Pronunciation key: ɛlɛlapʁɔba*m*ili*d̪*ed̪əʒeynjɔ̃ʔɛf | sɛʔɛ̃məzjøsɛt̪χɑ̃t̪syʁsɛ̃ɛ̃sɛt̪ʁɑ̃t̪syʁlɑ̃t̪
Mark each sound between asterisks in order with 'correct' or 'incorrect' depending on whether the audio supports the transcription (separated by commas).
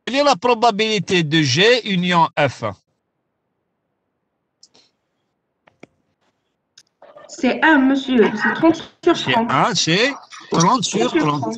incorrect, incorrect